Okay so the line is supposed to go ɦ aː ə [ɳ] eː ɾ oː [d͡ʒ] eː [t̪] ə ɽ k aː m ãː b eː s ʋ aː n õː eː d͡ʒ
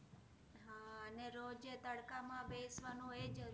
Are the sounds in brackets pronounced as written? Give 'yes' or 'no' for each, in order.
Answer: no, yes, yes

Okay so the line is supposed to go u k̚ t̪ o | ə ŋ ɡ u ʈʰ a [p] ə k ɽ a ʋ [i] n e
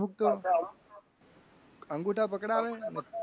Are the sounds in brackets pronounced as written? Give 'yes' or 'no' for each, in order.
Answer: yes, no

